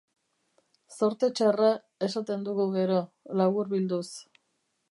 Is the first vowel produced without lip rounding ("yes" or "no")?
no